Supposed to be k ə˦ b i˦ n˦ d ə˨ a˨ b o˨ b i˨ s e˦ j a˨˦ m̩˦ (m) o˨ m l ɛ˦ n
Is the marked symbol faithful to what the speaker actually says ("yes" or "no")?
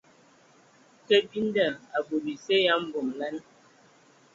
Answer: no